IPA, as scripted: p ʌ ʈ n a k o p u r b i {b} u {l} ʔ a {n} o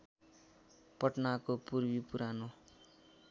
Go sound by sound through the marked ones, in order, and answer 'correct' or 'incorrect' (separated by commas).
incorrect, incorrect, correct